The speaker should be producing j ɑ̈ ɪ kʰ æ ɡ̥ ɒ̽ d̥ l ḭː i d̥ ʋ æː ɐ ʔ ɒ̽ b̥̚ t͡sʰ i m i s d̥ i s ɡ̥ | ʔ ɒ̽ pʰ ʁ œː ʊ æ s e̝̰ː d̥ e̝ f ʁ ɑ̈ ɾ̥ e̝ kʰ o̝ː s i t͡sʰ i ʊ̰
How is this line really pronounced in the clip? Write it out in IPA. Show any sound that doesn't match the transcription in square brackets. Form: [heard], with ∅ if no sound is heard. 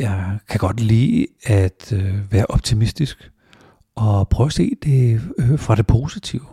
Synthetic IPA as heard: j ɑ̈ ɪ kʰ æ ɡ̥ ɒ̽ d̥ l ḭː [æ] d̥ ʋ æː ɐ ʔ ɒ̽ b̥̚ t͡sʰ i m i s d̥ i s ɡ̥ | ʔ ɒ̽ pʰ ʁ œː ʊ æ s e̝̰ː d̥ e̝ f ʁ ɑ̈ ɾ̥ e̝ [pʰ] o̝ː s i t͡sʰ i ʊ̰